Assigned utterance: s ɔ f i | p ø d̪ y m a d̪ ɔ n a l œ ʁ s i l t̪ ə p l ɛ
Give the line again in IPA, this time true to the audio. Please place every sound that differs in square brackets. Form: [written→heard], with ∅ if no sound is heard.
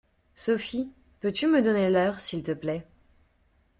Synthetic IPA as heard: s ɔ f i | p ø [d̪→t̪] y m [a→ə] d̪ ɔ n [a→e] l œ ʁ s i l t̪ ə p l ɛ